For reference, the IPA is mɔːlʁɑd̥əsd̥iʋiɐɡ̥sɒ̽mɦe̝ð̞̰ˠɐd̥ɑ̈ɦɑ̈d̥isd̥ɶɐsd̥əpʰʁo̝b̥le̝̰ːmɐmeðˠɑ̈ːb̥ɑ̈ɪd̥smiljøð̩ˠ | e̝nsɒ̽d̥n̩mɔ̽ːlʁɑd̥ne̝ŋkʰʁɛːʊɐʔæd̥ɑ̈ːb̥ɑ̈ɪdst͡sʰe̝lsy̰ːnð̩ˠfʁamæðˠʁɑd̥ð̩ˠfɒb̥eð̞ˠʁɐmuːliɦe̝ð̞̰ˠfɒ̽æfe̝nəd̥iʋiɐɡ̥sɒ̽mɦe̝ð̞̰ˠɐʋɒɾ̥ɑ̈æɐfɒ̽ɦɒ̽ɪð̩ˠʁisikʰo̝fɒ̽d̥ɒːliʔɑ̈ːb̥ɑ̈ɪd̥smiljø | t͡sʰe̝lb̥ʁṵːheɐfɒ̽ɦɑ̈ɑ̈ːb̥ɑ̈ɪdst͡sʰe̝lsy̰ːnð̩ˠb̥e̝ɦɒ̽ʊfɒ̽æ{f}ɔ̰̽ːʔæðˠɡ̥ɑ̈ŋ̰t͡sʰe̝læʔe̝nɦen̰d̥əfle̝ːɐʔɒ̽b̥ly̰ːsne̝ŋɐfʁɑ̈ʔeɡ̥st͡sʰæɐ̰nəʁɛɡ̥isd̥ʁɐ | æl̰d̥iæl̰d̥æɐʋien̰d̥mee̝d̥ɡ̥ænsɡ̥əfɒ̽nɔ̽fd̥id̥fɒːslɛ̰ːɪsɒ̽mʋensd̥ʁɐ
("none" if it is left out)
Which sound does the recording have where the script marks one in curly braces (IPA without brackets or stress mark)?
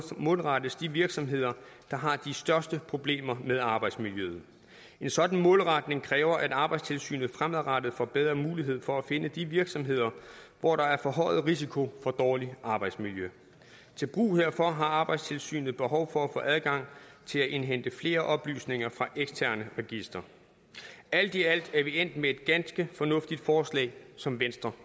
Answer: f